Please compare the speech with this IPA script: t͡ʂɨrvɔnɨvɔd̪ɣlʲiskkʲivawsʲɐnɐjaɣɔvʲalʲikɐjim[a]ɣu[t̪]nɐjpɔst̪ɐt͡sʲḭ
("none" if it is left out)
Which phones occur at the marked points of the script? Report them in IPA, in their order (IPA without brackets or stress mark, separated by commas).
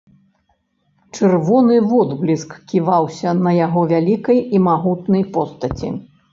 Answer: a, t̪